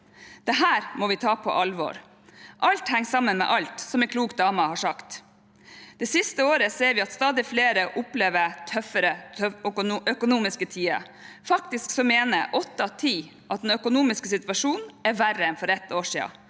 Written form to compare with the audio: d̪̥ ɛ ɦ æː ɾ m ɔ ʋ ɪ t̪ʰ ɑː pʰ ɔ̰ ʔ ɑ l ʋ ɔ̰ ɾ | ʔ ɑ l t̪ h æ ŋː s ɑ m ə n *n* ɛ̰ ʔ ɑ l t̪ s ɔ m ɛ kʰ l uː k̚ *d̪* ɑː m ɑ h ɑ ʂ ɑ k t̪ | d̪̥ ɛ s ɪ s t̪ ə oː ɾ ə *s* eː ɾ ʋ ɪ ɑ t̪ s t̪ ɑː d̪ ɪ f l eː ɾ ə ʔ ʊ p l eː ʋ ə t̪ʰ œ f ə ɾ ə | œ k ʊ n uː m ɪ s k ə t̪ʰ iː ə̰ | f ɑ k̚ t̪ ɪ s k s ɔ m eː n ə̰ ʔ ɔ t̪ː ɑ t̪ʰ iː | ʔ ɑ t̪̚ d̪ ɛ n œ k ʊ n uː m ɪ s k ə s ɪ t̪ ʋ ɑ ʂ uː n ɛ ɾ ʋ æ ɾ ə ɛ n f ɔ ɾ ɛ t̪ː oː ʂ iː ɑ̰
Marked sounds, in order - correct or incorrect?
incorrect: m, correct, correct

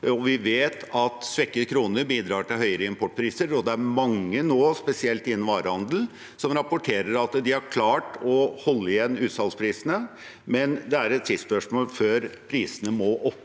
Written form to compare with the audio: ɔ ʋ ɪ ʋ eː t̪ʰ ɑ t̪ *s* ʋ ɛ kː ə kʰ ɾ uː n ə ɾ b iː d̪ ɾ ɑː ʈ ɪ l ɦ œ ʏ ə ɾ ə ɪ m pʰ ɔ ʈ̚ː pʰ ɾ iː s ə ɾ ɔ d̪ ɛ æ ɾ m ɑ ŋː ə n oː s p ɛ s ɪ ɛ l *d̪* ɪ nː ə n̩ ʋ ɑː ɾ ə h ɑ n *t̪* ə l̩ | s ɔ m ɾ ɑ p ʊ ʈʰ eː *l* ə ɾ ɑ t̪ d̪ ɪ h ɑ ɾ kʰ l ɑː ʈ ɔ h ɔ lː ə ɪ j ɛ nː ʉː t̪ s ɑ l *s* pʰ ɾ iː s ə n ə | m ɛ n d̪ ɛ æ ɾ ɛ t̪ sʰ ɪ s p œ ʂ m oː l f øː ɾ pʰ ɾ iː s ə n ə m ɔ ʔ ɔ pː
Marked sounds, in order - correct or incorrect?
correct, incorrect: t̪, incorrect: d̪, incorrect: ɾ, correct

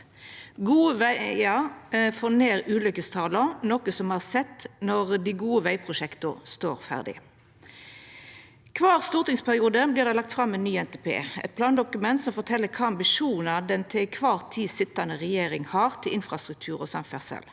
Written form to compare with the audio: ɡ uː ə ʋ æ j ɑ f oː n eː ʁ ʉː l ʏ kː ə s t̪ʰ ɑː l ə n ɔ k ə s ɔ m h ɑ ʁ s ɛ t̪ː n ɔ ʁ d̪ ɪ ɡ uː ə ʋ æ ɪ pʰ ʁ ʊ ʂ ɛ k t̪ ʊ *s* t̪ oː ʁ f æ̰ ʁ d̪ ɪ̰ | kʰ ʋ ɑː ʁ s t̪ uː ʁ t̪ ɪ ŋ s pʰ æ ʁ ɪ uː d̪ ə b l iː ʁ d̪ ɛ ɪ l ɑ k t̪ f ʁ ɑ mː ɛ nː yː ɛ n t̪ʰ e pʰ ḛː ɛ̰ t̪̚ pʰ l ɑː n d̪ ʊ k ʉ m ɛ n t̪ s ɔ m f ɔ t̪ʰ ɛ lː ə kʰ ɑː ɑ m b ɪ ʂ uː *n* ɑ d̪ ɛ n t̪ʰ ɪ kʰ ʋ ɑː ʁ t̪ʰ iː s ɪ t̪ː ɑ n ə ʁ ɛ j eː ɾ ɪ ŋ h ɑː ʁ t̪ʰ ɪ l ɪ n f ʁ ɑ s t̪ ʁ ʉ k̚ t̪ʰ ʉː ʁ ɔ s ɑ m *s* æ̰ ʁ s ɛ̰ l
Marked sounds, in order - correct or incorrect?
correct, correct, incorrect: f

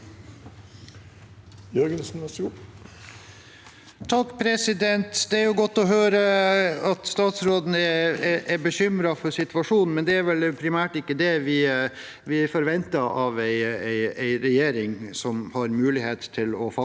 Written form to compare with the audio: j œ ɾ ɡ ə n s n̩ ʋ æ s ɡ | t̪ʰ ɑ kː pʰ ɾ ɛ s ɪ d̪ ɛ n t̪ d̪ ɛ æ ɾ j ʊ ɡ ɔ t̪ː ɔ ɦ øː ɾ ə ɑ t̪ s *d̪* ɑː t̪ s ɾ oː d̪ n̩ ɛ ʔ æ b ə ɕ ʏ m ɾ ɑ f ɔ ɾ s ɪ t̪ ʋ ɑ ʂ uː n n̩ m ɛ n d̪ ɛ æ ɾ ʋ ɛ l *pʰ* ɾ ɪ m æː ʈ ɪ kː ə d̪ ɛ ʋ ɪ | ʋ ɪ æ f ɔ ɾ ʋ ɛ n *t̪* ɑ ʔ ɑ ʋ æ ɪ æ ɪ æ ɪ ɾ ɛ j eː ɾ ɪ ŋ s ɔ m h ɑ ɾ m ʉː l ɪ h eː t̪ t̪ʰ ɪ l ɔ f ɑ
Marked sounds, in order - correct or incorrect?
incorrect: t̪, correct, correct

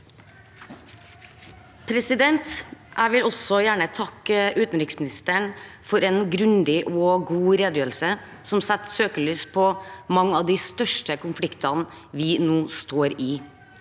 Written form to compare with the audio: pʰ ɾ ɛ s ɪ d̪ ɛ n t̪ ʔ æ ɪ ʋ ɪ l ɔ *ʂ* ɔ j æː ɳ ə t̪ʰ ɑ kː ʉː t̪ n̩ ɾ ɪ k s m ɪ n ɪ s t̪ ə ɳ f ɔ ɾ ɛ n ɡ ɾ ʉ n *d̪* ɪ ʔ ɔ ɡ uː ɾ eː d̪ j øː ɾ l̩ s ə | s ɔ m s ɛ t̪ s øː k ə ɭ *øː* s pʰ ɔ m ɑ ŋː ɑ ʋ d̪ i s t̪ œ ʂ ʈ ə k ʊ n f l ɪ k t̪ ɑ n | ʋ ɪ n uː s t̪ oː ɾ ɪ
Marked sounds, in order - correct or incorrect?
incorrect: s, correct, incorrect: yː

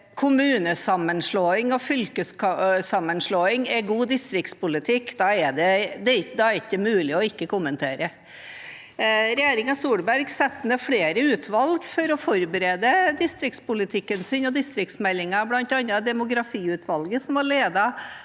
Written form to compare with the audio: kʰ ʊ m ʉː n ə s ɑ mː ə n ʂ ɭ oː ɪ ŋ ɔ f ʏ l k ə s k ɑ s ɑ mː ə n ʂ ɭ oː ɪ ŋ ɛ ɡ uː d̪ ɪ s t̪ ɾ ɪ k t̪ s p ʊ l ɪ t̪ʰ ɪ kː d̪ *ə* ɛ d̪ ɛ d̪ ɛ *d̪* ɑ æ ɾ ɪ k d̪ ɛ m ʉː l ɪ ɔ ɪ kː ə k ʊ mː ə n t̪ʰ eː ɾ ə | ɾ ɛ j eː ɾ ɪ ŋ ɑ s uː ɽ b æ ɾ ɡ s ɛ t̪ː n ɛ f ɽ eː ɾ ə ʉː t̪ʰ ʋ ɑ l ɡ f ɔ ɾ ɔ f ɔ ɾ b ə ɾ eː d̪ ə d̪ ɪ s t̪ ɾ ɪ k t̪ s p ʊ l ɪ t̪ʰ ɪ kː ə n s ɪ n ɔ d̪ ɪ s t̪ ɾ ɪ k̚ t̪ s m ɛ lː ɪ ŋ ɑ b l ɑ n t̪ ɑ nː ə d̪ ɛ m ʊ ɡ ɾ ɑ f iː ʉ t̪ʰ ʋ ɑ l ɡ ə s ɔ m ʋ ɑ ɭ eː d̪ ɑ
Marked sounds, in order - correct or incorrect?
incorrect: ɑ, correct

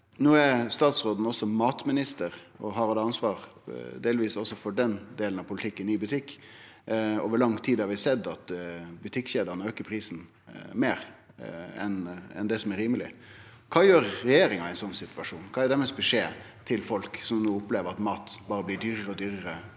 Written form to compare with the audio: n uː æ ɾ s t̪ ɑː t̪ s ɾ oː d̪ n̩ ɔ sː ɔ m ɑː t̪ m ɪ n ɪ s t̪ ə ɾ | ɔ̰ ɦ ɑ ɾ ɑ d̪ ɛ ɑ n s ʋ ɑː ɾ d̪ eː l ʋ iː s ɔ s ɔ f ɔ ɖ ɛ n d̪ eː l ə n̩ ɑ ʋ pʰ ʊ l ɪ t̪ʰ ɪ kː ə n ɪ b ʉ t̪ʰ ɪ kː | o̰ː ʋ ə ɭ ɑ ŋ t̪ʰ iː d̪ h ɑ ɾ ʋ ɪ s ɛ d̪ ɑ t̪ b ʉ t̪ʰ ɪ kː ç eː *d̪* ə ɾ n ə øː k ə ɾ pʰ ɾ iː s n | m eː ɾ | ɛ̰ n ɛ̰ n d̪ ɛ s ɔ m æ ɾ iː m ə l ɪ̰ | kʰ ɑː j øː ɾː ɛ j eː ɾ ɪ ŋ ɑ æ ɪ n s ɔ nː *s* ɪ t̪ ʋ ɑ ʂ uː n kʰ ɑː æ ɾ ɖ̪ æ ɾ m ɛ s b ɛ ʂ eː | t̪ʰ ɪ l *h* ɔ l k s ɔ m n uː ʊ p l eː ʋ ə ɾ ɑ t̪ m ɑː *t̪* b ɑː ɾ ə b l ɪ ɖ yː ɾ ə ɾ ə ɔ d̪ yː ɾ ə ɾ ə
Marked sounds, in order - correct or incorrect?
correct, correct, incorrect: f, correct

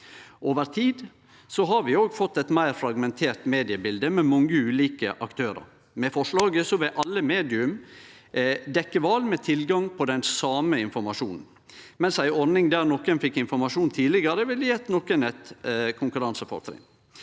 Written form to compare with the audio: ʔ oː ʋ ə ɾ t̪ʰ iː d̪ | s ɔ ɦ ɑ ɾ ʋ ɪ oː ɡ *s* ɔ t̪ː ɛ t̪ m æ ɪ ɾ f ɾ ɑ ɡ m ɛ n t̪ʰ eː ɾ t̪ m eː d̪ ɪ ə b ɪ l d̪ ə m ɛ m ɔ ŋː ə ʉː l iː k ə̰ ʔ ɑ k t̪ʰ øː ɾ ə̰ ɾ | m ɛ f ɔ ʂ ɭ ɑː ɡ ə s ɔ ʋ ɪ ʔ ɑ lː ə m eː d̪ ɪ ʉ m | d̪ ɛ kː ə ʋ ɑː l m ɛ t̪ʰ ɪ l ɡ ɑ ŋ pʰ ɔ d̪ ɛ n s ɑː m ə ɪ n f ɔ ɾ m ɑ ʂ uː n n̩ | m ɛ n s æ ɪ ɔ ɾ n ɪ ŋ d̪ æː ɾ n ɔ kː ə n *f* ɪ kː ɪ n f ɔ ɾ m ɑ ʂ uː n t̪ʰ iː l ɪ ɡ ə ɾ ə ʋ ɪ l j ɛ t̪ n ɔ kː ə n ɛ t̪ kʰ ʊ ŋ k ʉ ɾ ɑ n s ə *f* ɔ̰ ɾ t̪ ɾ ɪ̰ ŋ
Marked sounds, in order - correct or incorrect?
incorrect: f, correct, correct

